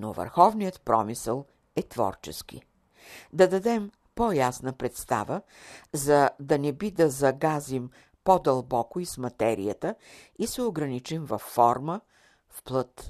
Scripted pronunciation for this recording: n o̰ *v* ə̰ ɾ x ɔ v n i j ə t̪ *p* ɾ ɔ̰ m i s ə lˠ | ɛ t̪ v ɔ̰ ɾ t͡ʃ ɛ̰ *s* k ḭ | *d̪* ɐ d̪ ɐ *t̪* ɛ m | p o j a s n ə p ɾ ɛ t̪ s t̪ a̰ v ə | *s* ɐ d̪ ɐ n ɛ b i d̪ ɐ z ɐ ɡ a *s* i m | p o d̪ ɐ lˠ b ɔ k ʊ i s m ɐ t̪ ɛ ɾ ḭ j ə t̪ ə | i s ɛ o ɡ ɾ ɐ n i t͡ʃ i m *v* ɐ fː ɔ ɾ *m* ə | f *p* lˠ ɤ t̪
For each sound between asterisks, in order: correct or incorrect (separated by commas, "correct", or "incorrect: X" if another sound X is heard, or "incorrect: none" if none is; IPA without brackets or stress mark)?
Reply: correct, correct, correct, correct, incorrect: d̪, incorrect: z, incorrect: z, correct, correct, correct